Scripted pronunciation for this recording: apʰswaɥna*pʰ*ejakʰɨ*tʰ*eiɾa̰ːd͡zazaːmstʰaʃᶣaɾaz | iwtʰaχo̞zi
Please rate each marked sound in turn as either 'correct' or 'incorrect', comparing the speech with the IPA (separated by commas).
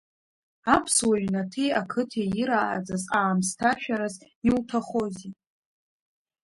incorrect, correct